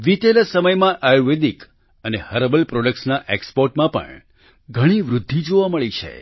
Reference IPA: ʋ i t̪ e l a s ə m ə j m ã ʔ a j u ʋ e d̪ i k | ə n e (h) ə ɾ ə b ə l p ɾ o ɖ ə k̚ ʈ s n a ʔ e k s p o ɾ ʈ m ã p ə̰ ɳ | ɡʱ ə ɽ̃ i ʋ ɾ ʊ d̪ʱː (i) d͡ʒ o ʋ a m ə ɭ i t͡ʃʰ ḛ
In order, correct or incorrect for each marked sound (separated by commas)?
correct, correct